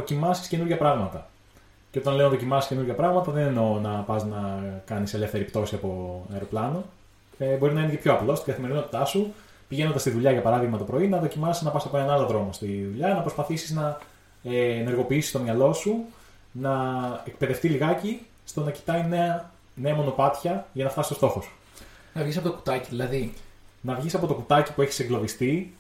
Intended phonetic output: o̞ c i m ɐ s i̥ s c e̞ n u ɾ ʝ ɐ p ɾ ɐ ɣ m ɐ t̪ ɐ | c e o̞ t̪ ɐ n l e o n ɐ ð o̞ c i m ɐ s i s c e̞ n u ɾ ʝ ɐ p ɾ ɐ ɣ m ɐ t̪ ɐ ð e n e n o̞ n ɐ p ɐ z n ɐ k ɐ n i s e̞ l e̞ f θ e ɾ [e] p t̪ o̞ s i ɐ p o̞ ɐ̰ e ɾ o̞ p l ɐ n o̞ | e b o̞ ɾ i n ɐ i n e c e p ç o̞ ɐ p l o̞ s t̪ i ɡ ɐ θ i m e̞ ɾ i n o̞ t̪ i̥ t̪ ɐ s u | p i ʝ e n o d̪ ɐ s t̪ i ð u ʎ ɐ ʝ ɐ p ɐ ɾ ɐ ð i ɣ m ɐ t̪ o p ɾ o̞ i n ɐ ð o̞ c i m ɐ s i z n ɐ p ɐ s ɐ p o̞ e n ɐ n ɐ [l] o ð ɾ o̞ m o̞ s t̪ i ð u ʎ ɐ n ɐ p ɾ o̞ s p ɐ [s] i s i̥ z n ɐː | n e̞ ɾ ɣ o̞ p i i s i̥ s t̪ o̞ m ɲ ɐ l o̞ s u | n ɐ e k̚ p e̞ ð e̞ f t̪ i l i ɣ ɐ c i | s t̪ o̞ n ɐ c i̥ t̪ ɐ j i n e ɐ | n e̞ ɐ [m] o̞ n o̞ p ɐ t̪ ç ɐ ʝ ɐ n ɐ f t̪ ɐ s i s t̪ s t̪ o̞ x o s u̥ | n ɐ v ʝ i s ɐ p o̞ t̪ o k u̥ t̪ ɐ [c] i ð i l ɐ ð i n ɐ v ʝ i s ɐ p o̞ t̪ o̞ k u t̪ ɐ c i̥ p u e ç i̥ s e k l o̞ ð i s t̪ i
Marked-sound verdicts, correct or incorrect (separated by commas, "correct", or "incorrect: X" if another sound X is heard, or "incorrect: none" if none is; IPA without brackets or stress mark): incorrect: i, correct, incorrect: θ, correct, correct